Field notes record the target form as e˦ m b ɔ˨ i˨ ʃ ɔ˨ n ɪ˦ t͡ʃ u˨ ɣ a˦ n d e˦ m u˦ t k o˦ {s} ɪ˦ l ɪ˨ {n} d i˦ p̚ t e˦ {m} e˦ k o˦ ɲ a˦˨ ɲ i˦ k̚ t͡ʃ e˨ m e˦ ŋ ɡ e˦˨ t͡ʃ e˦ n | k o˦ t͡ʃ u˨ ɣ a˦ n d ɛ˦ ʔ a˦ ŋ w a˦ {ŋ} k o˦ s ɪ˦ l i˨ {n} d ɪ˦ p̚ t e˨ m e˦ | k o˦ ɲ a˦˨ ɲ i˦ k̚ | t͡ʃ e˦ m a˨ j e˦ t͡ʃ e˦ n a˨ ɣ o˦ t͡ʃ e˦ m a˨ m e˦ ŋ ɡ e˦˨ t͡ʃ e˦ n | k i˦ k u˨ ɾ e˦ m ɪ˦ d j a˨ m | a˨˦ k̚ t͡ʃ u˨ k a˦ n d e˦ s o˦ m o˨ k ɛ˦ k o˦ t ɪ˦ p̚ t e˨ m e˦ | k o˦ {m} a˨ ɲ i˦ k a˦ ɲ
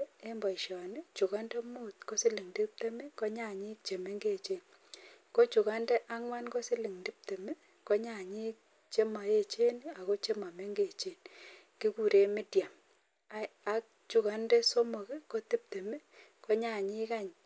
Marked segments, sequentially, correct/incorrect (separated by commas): correct, incorrect, correct, incorrect, incorrect, incorrect